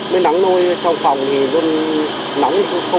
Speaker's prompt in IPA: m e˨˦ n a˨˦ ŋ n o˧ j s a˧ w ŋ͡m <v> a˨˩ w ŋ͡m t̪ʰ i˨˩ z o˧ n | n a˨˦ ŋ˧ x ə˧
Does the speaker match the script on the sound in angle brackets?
no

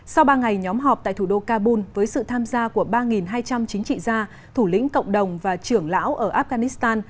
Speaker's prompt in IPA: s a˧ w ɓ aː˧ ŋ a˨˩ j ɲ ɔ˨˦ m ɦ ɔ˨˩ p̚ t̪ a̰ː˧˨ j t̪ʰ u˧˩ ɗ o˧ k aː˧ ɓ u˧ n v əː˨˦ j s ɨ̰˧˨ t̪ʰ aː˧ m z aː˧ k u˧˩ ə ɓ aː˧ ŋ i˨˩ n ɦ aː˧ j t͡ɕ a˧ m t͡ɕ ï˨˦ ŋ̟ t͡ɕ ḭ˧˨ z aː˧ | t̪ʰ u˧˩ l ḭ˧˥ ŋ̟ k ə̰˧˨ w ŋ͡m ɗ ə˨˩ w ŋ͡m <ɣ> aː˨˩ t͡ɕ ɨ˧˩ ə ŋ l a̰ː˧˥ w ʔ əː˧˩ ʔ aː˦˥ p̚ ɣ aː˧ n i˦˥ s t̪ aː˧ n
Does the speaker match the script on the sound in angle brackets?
no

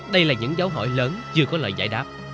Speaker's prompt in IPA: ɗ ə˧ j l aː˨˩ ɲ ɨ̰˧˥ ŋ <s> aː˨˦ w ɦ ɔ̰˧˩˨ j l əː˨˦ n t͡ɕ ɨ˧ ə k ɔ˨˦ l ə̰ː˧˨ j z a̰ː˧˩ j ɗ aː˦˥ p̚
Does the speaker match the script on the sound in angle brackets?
no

